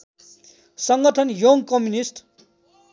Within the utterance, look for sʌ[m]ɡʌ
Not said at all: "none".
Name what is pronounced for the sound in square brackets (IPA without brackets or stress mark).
ŋ